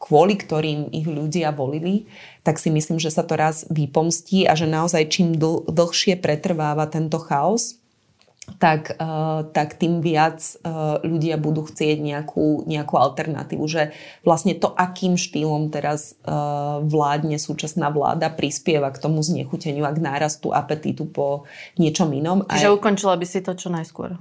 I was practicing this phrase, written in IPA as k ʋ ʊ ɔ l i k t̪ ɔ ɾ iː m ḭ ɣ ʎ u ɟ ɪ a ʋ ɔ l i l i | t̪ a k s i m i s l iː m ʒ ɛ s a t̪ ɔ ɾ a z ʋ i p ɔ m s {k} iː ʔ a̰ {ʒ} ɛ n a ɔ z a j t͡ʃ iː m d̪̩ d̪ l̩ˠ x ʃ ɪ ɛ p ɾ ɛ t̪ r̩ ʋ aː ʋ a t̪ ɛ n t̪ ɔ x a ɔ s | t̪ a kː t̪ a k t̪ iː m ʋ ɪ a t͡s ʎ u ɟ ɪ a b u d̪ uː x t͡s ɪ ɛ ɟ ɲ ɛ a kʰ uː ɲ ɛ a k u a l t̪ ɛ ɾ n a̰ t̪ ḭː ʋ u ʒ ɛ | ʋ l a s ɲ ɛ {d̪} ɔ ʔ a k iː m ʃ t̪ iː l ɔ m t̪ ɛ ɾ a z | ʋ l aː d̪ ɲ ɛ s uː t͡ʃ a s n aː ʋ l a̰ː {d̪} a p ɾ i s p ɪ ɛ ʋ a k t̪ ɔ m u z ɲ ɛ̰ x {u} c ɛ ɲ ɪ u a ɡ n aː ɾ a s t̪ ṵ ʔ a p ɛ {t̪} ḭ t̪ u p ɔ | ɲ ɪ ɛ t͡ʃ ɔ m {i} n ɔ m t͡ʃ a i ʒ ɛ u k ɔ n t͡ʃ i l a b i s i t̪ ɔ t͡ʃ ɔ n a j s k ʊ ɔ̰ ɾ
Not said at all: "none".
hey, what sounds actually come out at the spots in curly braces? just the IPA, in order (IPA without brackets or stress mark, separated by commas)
c, ʒ, t̪, d̪, u, t̪, i